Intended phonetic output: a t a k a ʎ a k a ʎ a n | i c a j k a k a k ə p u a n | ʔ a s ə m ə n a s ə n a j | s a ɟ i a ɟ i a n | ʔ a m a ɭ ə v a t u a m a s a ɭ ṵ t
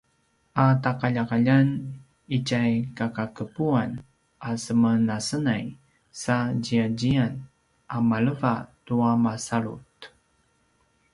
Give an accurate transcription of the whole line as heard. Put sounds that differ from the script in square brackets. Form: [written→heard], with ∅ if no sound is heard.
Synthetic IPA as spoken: a t a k a ʎ a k a ʎ a n | i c a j k a k a k ə p u a n | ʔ a s ə m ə n a s ə n a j | s a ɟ i a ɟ i a n | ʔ a m a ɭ ə v a t u a m a s a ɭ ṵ t

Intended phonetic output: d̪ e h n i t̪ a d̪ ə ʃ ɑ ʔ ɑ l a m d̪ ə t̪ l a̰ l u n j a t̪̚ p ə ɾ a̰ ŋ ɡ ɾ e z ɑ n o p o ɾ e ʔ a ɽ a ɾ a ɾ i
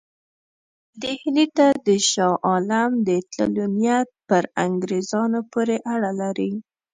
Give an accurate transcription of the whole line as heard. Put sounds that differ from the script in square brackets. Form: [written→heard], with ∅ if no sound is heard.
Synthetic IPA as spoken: d̪ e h n i t̪ a d̪ ə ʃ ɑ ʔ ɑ l a m d̪ ə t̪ l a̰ l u n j a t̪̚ p ə ɾ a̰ ŋ ɡ ɾ e z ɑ n o p o ɾ e ʔ a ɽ a [ɾ→l] a ɾ i

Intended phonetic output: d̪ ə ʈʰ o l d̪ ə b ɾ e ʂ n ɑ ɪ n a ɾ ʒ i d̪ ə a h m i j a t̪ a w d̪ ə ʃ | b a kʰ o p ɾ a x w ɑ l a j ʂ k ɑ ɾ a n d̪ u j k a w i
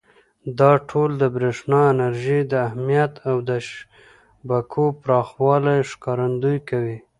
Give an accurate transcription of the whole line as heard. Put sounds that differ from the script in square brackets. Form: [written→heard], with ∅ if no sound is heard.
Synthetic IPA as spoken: d̪ [ə→ɑ] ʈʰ o l d̪ ə b ɾ e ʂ n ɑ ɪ n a ɾ ʒ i d̪ ə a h m i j a t̪ a w d̪ ə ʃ | b a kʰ o p ɾ [a→ɑ] x w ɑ l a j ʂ k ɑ ɾ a n d̪ u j k a w i

